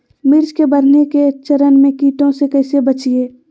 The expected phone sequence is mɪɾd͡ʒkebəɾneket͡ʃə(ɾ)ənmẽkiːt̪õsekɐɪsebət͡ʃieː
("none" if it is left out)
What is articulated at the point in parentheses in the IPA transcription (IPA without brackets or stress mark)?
ɾ